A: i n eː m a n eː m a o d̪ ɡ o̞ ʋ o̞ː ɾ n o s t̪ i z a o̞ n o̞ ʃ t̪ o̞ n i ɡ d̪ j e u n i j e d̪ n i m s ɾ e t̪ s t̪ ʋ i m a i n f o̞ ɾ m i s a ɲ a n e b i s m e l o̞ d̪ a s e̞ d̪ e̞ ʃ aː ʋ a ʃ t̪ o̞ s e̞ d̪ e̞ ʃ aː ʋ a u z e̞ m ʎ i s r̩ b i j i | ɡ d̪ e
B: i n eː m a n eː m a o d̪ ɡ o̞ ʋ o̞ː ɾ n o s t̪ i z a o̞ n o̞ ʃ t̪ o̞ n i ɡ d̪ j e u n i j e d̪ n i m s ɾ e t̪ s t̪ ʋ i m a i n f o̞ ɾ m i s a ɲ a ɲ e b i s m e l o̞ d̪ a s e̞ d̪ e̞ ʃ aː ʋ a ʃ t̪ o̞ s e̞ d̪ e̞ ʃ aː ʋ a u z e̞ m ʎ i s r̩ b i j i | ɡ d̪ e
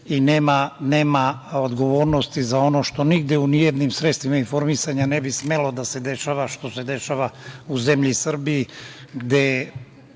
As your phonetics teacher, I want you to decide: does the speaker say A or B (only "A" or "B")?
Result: A